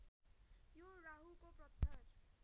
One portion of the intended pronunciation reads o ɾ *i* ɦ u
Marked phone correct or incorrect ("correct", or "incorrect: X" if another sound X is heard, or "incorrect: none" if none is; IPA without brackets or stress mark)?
incorrect: a